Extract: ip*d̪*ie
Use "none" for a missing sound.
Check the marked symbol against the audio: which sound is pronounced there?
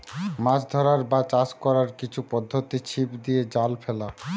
d̪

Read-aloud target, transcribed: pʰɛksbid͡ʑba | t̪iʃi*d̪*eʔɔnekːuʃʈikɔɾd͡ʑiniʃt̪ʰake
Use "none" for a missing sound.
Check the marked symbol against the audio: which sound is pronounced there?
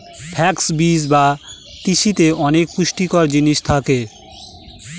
t̪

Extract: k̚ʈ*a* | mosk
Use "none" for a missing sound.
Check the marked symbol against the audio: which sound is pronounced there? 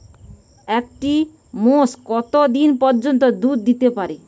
i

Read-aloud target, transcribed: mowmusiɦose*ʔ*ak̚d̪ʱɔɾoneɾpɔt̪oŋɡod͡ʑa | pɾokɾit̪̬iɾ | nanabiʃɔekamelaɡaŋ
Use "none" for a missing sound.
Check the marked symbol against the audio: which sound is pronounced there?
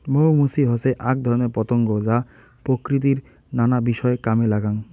ʔ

